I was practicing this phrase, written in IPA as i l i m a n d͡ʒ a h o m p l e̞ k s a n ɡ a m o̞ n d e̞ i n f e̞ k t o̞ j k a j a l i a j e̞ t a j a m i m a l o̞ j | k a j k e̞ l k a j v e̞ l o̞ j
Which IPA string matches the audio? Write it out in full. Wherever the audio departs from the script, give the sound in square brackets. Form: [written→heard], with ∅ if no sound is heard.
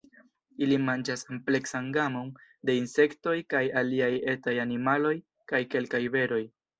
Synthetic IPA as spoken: i l i m a n d͡ʒ a [h→s] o m p l e̞ k s a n ɡ a m o̞ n d e̞ i n [f→s] e̞ k t o̞ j k a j a l i a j e̞ t a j a [m→n] i m a l o̞ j | k a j k e̞ l k a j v e̞ [l→ɾ] o̞ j